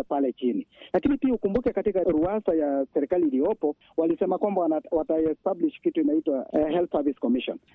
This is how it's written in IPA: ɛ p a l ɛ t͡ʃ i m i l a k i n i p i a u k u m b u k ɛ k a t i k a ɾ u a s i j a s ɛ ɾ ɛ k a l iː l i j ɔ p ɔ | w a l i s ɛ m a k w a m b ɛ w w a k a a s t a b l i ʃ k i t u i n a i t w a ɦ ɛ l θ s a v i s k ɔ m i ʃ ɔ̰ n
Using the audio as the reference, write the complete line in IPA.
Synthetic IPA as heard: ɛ p a l ɛ t͡ʃ i n i l a k i n i p i a u k u m b u k ɛ k a t i k a ɾ u a s a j a s ɛ ɾ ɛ k a l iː l i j ɔ p ɔ | w a l i s ɛ m a k w a m b a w w a t a ɛ s t a b l i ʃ k i t u i n a i t w a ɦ ɛ l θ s a v i s k ɔ m i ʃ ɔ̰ n